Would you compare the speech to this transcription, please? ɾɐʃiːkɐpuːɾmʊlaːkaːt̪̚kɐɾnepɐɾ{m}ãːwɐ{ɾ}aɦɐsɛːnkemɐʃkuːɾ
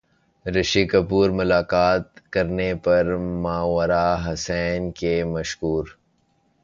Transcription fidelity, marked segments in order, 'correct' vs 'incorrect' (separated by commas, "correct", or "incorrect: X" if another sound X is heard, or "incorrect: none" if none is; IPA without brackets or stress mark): correct, correct